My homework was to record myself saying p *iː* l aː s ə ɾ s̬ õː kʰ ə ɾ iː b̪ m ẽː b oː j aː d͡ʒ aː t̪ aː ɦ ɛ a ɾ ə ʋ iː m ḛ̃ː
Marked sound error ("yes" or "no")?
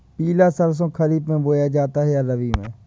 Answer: no